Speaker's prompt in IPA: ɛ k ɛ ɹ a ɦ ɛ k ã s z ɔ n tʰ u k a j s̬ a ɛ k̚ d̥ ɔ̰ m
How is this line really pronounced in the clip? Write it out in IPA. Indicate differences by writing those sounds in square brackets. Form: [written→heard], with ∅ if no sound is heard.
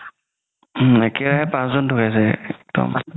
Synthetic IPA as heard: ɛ k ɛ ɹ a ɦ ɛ [k→p] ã s z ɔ n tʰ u k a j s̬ [a→ɛ] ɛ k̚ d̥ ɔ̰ m